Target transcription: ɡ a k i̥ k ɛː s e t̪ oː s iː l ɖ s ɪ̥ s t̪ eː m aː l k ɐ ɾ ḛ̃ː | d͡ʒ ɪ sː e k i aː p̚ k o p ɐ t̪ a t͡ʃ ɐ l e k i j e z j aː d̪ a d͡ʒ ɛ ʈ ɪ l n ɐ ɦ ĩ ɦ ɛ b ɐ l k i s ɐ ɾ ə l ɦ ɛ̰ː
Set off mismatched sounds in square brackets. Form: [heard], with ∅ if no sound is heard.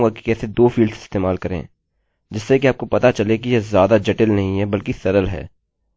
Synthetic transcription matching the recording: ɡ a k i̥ k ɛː s e [d̪] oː [f] iː l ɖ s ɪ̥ s t̪ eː m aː l k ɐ ɾ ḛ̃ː | d͡ʒ ɪ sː e k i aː p̚ k o p ɐ t̪ a t͡ʃ ɐ l e k i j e z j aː d̪ a d͡ʒ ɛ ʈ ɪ l n ɐ ɦ ĩ ɦ ɛ b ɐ l k i s ɐ ɾ ə l ɦ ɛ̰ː

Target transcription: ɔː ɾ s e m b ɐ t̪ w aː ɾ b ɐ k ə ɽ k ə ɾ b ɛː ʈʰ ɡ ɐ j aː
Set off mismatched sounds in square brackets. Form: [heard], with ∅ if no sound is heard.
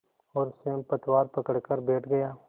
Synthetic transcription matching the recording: ɔː ɾ s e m [p] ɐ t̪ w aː ɾ [p] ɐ k ə ɽ k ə ɾ b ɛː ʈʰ ɡ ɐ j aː

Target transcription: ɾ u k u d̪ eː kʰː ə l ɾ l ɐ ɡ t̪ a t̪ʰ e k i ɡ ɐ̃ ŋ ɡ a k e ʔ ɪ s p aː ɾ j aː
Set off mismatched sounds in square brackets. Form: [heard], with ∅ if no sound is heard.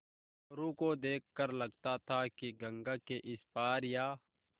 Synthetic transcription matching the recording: ɾ u k [o] d̪ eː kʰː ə [∅] ɾ l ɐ ɡ t̪ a t̪ʰ [a] k i ɡ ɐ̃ ŋ ɡ a k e ʔ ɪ s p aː ɾ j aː

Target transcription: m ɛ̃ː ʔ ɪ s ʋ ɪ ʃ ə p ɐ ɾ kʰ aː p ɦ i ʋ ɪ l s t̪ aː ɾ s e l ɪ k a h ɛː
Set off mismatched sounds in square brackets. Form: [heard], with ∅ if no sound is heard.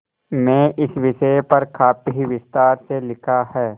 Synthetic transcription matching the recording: m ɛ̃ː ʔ ɪ s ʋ ɪ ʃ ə p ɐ ɾ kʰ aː p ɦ i ʋ ɪ [∅] s t̪ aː ɾ s e l ɪ [kʰ] a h ɛː

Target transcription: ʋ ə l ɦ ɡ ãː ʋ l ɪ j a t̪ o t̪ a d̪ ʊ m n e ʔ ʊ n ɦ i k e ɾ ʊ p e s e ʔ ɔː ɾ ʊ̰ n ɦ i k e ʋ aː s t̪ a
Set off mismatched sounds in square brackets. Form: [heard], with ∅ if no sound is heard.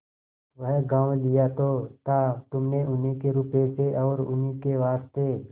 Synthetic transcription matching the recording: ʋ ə [∅] ɦ ɡ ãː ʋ l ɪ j a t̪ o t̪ a [t̪] ʊ m n e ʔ ʊ n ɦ i k e ɾ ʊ p e s e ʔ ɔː ɾ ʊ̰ n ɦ i k e ʋ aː s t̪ [e]

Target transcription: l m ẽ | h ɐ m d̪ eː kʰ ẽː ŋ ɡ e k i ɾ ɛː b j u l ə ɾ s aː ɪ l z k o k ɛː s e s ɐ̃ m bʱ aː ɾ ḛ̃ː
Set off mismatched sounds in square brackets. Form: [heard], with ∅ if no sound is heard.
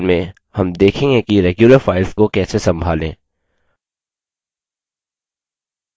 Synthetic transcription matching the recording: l m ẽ | h ɐ m d̪ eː kʰ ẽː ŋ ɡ e k i ɾ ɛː [ɡ] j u l ə ɾ [f] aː ɪ l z k o k ɛː s e s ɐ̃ m bʱ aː [l] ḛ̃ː

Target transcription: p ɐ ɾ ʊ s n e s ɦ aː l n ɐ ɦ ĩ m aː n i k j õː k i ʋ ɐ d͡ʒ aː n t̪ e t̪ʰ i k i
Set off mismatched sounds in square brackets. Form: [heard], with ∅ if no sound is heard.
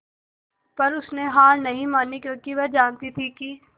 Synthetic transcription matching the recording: p ɐ ɾ ʊ s n e [∅] ɦ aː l n ɐ ɦ ĩ m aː n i k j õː k i ʋ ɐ d͡ʒ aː n t̪ [i] t̪ʰ i k i

